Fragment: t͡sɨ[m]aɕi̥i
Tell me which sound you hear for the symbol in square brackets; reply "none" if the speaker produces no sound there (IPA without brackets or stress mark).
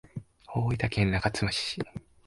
m